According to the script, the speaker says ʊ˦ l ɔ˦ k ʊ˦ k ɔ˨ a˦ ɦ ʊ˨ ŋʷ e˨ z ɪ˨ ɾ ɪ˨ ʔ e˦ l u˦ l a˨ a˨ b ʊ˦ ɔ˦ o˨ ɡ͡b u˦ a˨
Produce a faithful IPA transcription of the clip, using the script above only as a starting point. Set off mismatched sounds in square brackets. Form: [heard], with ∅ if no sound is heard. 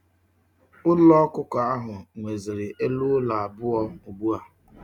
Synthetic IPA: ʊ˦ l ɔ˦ k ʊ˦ k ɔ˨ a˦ ɦ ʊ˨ ŋʷ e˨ z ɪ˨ ɾ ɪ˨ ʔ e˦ l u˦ l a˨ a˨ b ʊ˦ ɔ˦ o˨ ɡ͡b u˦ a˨